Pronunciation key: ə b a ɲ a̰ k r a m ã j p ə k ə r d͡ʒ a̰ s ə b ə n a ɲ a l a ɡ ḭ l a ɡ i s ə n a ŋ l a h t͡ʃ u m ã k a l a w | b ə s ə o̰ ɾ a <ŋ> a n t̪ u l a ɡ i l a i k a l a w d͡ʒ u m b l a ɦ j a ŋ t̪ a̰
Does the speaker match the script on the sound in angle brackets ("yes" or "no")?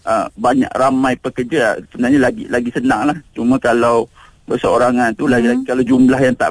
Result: yes